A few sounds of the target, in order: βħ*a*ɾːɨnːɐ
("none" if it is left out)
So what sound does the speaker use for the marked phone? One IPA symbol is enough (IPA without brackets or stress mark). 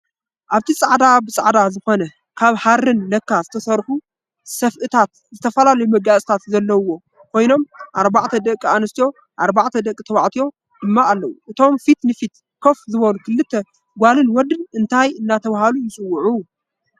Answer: a